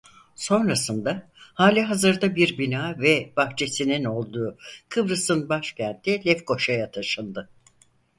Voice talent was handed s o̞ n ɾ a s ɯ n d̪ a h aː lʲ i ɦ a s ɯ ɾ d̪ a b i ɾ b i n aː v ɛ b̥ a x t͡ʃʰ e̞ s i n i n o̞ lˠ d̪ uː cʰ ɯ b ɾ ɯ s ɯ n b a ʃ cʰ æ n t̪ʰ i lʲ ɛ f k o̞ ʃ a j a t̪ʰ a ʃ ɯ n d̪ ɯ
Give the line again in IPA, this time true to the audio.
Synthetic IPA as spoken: s o̞ n ɾ a s ɯ n d̪ a h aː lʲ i ɦ a z ɯ ɾ d̪ a b i ɾ b i n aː v ɛ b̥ a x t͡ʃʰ e̞ s i n i n o̞ lˠ d̪ uː kʰ ɯ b ɾ ɯ s ɯ n b a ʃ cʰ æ n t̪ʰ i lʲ ɛ f k o̞ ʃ a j a t̪ʰ a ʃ ɯ n d̪ ɯ